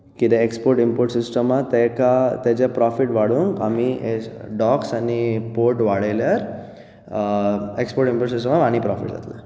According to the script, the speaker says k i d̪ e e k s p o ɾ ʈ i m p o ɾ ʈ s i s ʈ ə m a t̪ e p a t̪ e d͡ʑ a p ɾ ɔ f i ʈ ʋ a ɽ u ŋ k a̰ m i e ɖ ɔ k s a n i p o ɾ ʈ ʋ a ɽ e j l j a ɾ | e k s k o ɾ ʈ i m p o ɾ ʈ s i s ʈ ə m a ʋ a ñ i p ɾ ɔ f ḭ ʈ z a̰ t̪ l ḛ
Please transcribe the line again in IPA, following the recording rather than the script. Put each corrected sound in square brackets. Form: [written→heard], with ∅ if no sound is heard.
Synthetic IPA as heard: k i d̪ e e k s p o ɾ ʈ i m p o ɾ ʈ s i s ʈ ə m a t̪ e [p→k] a t̪ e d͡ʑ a p ɾ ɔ f i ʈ ʋ a ɽ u ŋ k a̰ m i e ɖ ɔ k s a n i p o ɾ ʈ ʋ a ɽ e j l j a ɾ | e k s [k→p] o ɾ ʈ i m p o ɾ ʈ s i s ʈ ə m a ʋ a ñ i p ɾ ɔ f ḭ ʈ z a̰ t̪ l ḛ